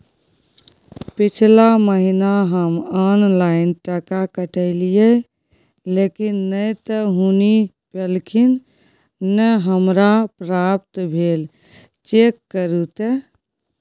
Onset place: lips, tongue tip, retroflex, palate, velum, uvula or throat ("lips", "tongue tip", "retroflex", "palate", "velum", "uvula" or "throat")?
lips